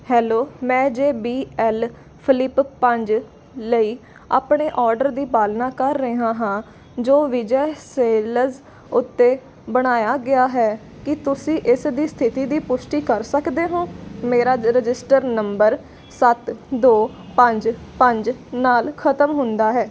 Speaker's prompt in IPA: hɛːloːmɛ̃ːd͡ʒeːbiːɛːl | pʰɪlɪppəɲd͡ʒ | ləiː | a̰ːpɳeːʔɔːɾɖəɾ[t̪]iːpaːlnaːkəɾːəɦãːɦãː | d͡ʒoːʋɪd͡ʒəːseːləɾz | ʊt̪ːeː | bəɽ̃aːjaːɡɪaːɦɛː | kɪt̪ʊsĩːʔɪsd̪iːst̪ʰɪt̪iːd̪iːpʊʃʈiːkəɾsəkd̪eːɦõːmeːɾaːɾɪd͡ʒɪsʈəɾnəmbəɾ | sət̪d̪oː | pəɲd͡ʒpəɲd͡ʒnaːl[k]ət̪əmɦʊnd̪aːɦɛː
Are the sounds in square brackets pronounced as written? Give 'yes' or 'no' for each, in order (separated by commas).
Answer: no, no